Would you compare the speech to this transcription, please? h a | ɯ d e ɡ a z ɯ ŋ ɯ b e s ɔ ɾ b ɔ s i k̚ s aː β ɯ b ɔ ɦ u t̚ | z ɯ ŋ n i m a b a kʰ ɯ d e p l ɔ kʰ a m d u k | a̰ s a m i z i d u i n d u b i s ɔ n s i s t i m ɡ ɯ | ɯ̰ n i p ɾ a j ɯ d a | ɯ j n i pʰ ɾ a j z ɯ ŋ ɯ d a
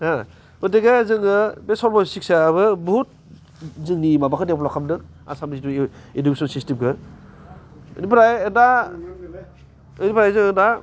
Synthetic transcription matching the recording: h a | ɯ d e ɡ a z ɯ ŋ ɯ b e s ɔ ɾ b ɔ s i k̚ s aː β ɯ b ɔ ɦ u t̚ | z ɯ ŋ n i m a b a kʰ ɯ d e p l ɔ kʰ a m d ɯ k | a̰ s a m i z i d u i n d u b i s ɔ n s i s t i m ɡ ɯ | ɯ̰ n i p ɾ a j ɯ d a | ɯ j n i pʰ ɾ a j z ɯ ŋ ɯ d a